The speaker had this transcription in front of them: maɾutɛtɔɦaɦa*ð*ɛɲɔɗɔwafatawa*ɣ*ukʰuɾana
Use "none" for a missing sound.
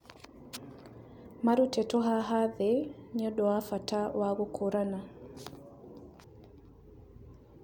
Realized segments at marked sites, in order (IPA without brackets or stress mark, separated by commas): ð, ɣ